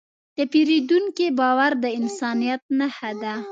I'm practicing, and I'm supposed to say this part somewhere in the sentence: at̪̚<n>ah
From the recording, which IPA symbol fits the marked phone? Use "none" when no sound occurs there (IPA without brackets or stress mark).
n